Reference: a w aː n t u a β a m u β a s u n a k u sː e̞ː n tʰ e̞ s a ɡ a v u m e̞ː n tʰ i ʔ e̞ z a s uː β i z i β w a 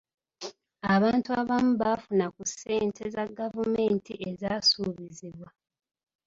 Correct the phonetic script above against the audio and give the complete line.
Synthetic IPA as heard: a β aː n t u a β a m u β a f u n a k u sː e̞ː n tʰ e̞ z a ɡ a v u m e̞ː n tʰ i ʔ e̞ z a s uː β i z i β w a

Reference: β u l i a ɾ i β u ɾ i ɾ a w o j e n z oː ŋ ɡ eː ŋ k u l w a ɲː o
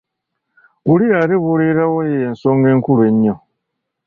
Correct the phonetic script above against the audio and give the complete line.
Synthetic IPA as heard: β u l i a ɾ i β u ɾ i ɾ a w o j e n s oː ŋ ɡ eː ŋ k u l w e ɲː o

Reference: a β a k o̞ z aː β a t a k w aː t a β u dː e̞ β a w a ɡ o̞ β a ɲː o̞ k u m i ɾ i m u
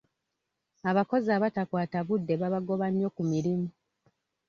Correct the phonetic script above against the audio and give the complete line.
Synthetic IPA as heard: a β a k o̞ z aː β a t a k w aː t a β u dː e̞ β a β a ɡ o̞ β a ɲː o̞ k u m i ɾ i m u

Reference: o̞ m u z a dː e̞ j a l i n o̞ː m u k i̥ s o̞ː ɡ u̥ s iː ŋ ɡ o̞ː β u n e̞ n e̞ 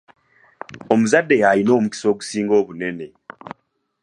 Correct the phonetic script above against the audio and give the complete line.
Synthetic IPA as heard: o̞ m u z a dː e̞ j a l i n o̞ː m u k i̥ s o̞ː ɡ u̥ s iː ŋ ɡ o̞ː β u n e̞ n e̞

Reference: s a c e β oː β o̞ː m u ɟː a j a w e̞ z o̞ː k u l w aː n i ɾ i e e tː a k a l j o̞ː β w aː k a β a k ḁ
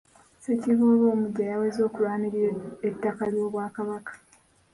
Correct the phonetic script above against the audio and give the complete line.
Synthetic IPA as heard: s e c i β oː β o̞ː m u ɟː a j a w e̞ z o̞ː k u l w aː n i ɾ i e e tː a k a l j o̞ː β w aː k a β a k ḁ

